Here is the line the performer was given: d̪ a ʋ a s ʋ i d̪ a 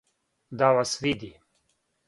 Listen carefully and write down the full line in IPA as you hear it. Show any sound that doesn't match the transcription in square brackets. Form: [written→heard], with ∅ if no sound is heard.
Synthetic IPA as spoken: d̪ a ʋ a s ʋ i d̪ [a→i]